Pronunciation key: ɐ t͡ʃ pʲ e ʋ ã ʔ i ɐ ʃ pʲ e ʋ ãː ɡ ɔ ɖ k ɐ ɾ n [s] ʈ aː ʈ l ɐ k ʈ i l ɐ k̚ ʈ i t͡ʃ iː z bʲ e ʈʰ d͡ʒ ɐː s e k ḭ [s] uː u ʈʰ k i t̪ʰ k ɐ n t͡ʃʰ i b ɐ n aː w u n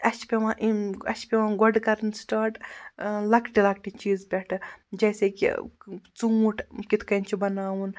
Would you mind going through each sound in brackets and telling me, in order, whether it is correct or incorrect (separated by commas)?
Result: correct, incorrect